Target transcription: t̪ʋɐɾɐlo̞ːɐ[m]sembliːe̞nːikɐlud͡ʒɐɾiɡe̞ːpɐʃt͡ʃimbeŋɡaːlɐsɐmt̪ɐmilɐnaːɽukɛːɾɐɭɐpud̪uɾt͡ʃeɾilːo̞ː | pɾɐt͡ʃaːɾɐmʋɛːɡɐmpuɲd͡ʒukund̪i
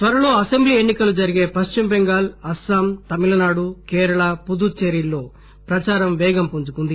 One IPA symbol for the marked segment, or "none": none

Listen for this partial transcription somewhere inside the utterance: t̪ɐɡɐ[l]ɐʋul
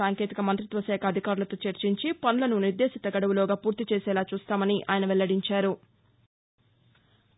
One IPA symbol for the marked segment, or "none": ɽ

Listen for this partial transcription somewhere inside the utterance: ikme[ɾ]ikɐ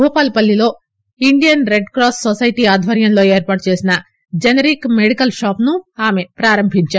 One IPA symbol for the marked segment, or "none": ɽ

